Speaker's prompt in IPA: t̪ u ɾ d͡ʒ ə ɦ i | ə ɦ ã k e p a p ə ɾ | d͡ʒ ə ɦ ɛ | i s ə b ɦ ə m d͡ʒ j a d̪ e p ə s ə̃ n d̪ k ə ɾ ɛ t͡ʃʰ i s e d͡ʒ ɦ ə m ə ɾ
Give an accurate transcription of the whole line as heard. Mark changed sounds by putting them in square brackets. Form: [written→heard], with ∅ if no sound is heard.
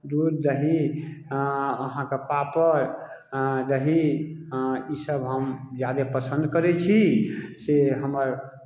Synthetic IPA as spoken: [t̪→d̪] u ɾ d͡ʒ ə ɦ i | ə ɦ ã k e p a p ə ɾ | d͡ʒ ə ɦ [ɛ→i] | i s ə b ɦ ə m d͡ʒ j a d̪ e p ə s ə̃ n d̪ k ə ɾ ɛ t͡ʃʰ i s e [d͡ʒ→∅] ɦ ə m ə ɾ